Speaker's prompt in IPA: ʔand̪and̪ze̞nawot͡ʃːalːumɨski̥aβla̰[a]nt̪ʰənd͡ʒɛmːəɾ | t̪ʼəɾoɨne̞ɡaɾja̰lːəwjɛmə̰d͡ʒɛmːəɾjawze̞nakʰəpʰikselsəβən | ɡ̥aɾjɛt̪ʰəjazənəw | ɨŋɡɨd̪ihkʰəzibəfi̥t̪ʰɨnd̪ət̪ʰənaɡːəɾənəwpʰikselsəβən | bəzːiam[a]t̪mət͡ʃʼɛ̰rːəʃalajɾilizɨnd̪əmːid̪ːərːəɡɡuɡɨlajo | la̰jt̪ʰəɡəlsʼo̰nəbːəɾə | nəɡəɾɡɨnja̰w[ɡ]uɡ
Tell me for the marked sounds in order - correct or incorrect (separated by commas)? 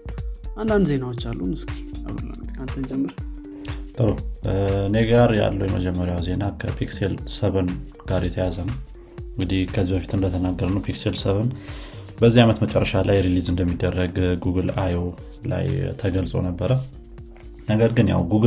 correct, incorrect, correct